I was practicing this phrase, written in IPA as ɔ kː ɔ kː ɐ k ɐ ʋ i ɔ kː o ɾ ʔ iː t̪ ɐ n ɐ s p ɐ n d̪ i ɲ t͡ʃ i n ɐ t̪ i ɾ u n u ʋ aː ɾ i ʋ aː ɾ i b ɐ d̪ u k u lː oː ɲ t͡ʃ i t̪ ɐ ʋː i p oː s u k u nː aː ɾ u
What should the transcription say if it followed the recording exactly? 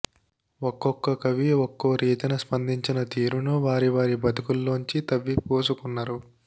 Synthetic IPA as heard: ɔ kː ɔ kː ɐ k ɐ ʋ i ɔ kː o ɾ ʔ iː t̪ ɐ n ɐ s p ɐ n d̪ i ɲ t͡ʃ i n ɐ t̪ iː ɾ u n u ʋ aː ɾ i ʋ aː ɾ i b ɐ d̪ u k u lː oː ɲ t͡ʃ i t̪ ɐ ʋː i p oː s u k u nː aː ɾ u

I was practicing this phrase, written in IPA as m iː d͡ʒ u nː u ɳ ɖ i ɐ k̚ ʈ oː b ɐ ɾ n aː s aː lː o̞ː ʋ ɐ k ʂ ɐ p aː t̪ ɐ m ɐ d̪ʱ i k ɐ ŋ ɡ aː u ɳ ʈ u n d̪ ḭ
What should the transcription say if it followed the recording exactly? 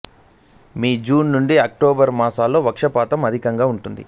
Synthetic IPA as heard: m iː d͡ʒ uː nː u ɳ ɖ i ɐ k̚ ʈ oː b ɐ ɾ m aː s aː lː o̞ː ʋ ɐ k ʂ ɐ p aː t̪ ɐ m ɐ d̪ʱ i k ɐ ŋ ɡ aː u ɳ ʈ u n d̪ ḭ

